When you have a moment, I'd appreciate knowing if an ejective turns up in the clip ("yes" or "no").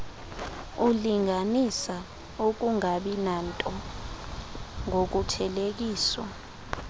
yes